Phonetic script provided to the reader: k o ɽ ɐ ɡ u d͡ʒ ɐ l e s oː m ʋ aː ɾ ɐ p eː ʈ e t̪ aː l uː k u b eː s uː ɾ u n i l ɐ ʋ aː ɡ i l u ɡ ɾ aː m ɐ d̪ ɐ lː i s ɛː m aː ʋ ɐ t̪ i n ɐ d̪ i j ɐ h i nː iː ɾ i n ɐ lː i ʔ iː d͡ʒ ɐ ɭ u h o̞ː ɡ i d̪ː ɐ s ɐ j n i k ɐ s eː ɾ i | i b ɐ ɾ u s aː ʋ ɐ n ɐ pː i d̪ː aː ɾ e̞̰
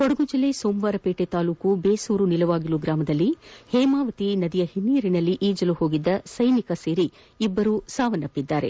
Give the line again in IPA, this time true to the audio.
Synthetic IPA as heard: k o ɽ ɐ ɡ u d͡ʒ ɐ l e s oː m ʋ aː ɾ ɐ p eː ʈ e t̪ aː l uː k u b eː s uː ɾ u n i l ɐ ʋ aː ɡ i l u ɡ ɾ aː m ɐ d̪ ɐ lː i h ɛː m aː ʋ ɐ t̪ i n ɐ d̪ i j ɐ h i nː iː ɾ i n ɐ lː i ʔ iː d͡ʒ ɐ l u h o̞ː ɡ i d̪ː ɐ s ɐ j n i k ɐ s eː ɾ i | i bː ɐ ɾ u s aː ʋ ɐ n ɐ pː i d̪ː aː ɾ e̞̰